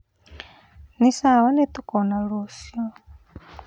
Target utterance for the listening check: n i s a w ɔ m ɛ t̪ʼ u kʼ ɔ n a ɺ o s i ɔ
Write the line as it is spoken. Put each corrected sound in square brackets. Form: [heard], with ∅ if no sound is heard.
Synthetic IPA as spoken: n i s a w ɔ [n] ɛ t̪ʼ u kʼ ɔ n a ɺ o s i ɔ